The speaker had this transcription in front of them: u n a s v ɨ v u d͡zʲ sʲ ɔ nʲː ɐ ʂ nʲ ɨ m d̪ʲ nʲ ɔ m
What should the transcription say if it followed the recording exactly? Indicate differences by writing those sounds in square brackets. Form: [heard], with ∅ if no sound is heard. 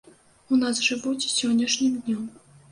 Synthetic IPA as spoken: u n a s [ʐ] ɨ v u d͡zʲ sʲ ɔ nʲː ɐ ʂ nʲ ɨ m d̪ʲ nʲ ɔ m